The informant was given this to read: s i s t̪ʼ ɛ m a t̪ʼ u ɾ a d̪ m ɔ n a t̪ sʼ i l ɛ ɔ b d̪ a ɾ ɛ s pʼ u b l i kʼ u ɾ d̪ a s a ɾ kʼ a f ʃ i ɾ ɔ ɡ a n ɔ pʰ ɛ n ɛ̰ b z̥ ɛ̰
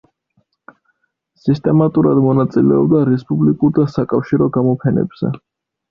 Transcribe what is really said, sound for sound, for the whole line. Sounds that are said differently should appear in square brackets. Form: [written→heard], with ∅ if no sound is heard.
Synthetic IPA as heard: s i s t̪ʼ ɛ m a t̪ʼ u ɾ a d̪ m ɔ n a t̪ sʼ i l ɛ ɔ b d̪ a ɾ ɛ s pʼ u b l i kʼ u ɾ d̪ a s a [ɾ→∅] kʼ a f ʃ i ɾ ɔ ɡ a [n→m] ɔ pʰ ɛ n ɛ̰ b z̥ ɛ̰